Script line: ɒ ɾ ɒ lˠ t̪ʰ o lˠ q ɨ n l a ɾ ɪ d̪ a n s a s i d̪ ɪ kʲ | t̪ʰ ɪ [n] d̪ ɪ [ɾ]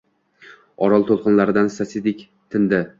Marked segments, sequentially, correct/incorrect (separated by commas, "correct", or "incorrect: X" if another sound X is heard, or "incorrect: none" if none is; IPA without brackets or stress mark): correct, incorrect: none